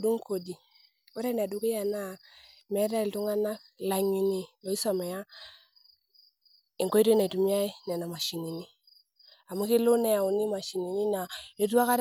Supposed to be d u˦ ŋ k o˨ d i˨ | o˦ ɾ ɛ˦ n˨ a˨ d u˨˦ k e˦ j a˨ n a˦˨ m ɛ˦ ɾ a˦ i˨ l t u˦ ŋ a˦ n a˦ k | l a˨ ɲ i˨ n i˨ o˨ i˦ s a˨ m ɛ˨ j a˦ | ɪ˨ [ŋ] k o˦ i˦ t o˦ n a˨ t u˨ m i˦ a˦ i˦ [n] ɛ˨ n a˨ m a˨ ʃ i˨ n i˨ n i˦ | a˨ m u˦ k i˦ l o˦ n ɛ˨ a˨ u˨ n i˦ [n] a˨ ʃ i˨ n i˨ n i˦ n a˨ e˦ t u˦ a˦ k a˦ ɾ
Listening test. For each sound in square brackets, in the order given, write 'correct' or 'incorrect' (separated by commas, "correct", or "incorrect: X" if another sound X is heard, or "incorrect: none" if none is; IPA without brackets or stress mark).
correct, correct, incorrect: m